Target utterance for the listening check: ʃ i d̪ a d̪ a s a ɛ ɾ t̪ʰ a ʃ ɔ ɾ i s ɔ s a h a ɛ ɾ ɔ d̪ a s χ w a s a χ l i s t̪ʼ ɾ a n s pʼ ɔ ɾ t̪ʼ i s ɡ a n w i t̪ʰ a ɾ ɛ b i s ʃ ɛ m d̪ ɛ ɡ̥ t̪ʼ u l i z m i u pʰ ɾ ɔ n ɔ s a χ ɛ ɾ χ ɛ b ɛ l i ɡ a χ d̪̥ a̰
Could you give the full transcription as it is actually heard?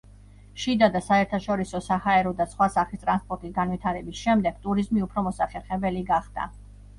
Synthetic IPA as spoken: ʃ i d̪ a d̪ a s a ɛ ɾ t̪ʰ a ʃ ɔ ɾ i s ɔ s a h a ɛ ɾ ɔ d̪ a s χ w a s a χ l i s t̪ʼ ɾ a n s pʼ ɔ ɾ t̪ʼ i s ɡ a n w i t̪ʰ a ɾ ɛ b i s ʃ ɛ m d̪ ɛ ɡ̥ t̪ʼ u ɾ i z m i u pʰ ɾ ɔ m ɔ s a χ ɛ ɾ χ ɛ b ɛ l i ɡ a χ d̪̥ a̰